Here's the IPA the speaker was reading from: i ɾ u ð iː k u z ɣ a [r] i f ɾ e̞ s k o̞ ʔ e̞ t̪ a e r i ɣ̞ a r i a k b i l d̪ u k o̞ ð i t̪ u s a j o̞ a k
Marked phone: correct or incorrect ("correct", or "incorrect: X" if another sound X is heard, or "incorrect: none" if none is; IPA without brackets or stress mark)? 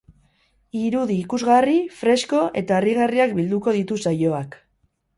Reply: correct